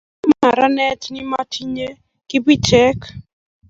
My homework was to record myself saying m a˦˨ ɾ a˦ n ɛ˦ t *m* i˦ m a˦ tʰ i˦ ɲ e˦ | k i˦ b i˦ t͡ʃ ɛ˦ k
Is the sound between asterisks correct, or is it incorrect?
incorrect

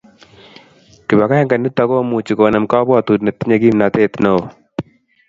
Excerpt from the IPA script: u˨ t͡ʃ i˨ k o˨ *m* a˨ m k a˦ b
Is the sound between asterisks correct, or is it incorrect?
incorrect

